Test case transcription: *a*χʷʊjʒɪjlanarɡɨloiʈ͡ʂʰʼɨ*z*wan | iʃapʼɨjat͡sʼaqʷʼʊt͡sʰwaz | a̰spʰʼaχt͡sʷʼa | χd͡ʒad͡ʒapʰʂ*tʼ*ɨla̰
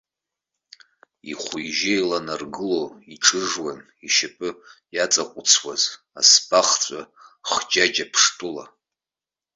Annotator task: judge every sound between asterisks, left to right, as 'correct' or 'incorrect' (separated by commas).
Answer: incorrect, incorrect, correct